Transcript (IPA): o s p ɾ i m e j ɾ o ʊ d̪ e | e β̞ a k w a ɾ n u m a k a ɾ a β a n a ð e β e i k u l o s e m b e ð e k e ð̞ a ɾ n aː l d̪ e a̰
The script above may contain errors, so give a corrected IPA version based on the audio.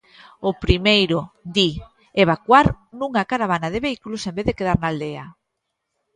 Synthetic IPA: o p ɾ i m e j ɾ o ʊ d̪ i | e β̞ a k w a ɾ n u ŋ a k a ɾ a β a n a ð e β e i k u l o s e m b e ð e k e ð̞ a ɾ n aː l d̪ e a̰